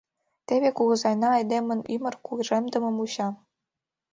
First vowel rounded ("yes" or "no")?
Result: no